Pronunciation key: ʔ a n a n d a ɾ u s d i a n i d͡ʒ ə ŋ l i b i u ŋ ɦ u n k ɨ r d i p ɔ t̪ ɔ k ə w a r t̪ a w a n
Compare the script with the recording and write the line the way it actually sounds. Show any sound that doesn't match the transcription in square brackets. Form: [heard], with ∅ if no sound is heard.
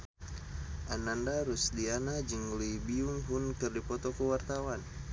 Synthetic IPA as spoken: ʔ a n a n d a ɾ u s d i a n [a] d͡ʒ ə ŋ l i b i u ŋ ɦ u n k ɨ r d i p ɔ t̪ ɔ k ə w a r t̪ a w a n